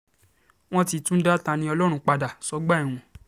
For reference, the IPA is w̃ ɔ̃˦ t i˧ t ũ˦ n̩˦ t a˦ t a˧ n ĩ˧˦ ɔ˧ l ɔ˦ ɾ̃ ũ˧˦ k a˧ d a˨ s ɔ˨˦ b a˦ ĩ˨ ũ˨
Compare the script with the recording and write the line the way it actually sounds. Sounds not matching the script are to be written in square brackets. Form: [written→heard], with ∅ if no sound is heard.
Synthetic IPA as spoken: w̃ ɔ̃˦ t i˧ t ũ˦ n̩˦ [t→d] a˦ t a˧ n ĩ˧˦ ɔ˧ l ɔ˦ ɾ̃ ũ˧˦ [k→k͡p] a˧ d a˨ s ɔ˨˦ [b→ɡ͡b] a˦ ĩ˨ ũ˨